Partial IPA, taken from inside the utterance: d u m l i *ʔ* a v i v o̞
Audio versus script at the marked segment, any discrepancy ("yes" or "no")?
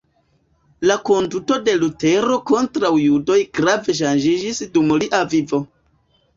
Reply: no